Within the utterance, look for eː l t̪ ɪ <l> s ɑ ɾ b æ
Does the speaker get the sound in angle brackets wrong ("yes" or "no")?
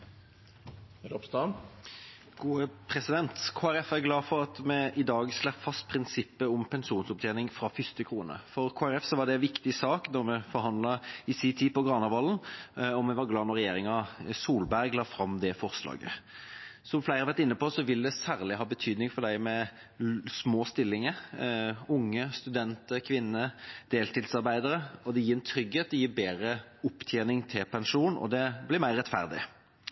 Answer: no